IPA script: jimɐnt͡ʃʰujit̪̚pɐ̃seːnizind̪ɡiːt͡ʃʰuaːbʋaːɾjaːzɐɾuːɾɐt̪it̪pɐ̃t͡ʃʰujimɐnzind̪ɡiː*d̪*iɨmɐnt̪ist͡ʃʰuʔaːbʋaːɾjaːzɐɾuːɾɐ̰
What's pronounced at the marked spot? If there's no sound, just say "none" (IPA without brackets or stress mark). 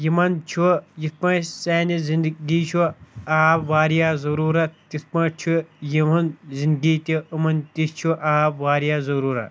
t̪